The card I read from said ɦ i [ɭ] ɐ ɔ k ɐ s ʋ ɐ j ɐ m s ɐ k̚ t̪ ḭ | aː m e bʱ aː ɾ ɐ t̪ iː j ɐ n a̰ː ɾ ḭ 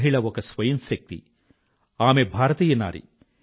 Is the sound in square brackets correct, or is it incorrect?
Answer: correct